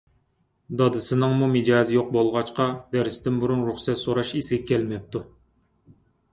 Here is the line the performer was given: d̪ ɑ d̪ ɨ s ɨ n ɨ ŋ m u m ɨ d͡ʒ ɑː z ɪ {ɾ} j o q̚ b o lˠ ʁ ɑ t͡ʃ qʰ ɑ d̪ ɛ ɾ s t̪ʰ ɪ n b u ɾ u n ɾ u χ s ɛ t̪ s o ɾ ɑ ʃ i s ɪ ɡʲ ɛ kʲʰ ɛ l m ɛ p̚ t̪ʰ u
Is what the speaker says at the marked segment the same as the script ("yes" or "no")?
no